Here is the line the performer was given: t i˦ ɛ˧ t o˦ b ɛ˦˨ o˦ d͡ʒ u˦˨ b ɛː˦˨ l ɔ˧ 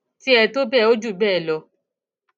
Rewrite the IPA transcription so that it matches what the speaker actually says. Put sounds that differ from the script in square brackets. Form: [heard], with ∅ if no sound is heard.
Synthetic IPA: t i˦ ɛ˧ t o˦ b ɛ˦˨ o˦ d͡ʒ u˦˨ b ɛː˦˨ l ɔ˧